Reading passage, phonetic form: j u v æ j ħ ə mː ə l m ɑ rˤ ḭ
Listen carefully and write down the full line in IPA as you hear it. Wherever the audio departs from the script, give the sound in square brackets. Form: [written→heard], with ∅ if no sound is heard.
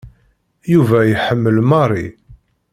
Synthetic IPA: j u v æ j ħ ə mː ə l m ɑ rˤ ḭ

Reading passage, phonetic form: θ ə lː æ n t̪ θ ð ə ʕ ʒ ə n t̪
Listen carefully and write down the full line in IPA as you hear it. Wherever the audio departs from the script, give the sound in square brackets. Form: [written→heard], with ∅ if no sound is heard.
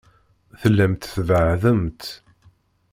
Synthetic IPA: θ ə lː æ [n→m] t̪ θ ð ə ʕ [ʒ→ð] ə [n→m] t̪

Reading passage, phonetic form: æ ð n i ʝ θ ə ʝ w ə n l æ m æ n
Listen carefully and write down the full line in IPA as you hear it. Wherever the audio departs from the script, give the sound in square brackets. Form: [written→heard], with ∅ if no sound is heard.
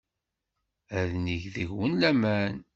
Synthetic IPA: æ ð n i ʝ [θ→ð] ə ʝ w ə n l æ m æ n

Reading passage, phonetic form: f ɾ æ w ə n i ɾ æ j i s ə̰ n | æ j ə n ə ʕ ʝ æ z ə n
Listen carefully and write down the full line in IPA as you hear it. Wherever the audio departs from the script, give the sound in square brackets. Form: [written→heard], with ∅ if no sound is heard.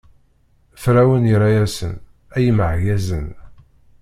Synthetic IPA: f ɾ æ w ə n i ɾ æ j [i→æ] s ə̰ n | æ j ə [n→m] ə ʕ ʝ æ z ə n

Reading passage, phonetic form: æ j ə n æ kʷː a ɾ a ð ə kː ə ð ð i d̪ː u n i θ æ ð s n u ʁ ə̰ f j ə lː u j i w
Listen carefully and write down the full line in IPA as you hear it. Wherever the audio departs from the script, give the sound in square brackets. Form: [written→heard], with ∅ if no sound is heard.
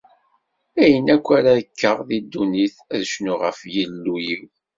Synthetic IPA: æ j ə n æ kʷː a ɾ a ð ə kː ə [ð→ʁ] ð i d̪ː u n i θ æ ð [s→ʃ] n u ʁ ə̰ f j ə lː u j i w

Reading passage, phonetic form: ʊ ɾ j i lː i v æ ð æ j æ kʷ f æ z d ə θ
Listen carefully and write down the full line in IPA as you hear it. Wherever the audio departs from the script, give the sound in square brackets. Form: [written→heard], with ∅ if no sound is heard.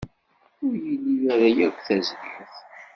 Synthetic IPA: ʊ ɾ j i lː i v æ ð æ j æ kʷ [f→θ] æ z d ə θ

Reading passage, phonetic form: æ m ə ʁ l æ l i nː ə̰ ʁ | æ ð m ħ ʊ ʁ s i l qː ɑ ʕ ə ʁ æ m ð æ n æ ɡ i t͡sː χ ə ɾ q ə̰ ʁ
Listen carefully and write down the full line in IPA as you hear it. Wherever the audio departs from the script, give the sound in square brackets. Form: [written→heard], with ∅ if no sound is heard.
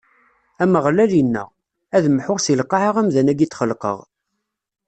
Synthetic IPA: æ m ə ʁ l æ l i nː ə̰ ʁ | æ ð m ħ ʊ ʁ s i l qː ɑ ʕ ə ʁ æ m ð æ n æ ɡ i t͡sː χ ə [ɾ→l] q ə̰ ʁ

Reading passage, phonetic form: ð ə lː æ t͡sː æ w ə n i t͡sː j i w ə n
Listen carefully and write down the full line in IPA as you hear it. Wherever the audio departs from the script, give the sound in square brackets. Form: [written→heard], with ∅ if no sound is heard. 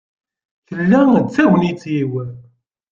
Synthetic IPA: [ð→θ] ə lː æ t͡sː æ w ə n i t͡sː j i w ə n

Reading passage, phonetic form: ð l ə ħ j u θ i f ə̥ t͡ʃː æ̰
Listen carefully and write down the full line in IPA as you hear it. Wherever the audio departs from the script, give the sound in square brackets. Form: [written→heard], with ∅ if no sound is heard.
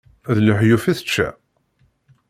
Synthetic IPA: ð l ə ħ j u [θ→f] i [f→θ] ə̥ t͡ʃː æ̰

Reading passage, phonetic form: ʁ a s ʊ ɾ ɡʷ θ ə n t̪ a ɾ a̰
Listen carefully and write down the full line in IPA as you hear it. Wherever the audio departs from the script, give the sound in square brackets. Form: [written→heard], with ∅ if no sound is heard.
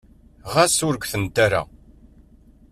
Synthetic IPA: ʁ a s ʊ ɾ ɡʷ θ ə n t̪ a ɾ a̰

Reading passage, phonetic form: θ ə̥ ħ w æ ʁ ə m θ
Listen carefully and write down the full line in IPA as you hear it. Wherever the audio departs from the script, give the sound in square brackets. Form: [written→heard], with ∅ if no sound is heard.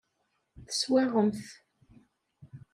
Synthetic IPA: θ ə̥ [ħ→s] w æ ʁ ə m θ

